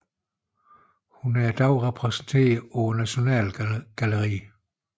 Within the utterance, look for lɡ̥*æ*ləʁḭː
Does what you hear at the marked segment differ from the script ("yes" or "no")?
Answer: no